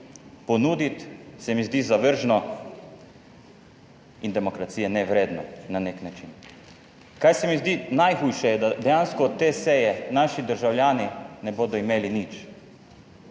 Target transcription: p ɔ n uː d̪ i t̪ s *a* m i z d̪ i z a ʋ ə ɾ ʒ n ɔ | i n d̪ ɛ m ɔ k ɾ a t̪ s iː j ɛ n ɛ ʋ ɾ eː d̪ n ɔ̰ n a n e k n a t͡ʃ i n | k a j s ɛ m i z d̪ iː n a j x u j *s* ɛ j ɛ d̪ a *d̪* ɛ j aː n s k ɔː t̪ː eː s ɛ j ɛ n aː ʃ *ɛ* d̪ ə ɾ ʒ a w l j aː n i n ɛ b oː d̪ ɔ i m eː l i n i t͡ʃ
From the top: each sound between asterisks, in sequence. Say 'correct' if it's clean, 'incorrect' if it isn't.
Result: incorrect: ɛ, incorrect: ʃ, correct, incorrect: i

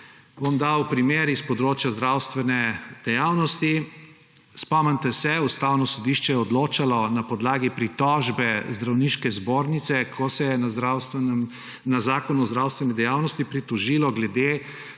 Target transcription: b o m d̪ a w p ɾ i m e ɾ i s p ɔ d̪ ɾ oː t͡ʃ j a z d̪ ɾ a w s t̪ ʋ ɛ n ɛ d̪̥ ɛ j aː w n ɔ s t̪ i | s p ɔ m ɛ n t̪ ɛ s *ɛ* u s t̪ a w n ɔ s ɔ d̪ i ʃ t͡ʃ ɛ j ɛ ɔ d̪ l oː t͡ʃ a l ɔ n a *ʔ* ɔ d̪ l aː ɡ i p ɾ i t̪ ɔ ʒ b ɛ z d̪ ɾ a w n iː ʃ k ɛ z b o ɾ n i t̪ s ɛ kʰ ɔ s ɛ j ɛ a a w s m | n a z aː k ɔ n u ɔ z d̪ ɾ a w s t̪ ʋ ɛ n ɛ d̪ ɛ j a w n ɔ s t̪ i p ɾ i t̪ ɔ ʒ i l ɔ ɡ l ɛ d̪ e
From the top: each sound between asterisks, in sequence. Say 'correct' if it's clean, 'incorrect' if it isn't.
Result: correct, incorrect: p

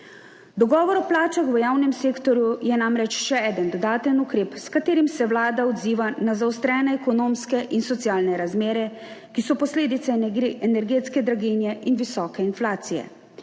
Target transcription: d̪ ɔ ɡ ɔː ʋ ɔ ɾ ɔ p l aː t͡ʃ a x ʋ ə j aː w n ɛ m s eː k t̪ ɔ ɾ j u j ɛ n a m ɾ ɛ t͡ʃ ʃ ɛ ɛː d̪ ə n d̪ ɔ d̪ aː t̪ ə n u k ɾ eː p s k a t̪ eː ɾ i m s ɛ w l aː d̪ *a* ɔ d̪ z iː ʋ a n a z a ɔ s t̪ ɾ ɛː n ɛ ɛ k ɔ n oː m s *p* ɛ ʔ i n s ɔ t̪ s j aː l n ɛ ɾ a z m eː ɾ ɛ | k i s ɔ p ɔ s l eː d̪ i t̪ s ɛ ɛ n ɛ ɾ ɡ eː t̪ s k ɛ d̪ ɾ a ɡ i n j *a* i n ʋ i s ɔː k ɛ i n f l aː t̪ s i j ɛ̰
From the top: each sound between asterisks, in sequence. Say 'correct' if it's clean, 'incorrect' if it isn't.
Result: correct, incorrect: k, incorrect: ɛ

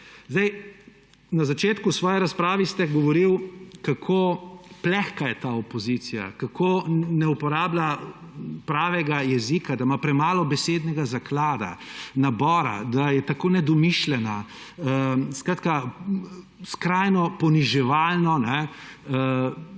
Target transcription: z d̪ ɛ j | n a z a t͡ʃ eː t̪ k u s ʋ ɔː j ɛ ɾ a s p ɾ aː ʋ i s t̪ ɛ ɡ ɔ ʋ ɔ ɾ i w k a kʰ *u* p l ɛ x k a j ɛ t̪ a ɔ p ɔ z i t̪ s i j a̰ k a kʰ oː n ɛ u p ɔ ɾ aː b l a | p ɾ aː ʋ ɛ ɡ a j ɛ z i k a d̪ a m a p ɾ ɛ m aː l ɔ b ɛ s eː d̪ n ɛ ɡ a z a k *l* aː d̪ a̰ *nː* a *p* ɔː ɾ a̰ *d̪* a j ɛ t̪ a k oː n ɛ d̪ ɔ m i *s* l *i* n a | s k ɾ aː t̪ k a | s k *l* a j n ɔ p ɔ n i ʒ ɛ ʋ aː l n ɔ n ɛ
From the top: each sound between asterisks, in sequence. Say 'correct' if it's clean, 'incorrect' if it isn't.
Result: incorrect: o, correct, incorrect: n, incorrect: b, correct, incorrect: ʃ, incorrect: ɛ, incorrect: ɾ

